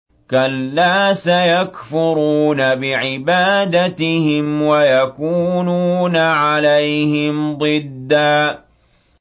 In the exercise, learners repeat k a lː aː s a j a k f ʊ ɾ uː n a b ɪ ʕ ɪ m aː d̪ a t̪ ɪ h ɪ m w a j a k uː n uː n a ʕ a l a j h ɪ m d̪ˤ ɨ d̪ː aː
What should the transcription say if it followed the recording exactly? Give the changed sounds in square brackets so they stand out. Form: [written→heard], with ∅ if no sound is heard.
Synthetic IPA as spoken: k a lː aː s a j a k f ʊ ɾ uː n a b ɪ ʕ ɪ [m→b] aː d̪ a t̪ ɪ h ɪ m w a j a k uː n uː n a ʕ a l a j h ɪ m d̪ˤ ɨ d̪ː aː